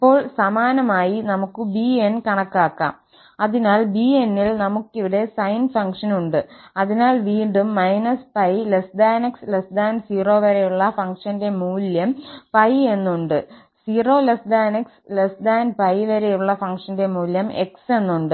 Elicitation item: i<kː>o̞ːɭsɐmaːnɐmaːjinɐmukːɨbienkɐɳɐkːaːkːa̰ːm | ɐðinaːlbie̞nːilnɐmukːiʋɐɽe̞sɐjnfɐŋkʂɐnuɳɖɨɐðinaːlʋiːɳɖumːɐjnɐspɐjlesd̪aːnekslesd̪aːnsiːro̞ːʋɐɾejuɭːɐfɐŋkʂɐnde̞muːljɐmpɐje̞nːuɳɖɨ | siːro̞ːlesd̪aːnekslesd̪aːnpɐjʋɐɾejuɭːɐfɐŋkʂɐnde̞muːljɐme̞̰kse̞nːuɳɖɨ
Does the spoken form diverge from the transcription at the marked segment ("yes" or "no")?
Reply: yes